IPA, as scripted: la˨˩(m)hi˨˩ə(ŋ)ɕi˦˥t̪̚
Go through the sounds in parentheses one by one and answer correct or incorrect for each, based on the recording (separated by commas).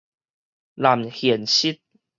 correct, incorrect